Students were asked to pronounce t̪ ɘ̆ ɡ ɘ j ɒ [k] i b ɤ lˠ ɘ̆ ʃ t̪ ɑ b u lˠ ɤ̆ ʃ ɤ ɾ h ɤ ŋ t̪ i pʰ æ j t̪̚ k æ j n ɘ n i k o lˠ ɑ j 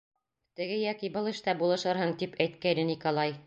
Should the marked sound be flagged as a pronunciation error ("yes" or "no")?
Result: no